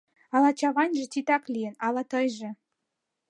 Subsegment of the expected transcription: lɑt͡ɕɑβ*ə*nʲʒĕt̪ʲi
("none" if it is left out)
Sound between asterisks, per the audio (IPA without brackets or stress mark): ɑ